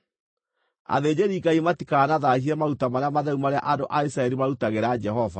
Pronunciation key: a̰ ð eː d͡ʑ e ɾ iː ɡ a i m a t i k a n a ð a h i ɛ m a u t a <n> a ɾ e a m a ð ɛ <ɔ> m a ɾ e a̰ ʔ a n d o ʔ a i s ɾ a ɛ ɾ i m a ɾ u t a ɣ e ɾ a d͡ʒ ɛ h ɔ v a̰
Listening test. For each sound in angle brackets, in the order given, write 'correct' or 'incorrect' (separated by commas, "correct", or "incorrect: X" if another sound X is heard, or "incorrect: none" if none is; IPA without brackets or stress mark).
incorrect: m, incorrect: u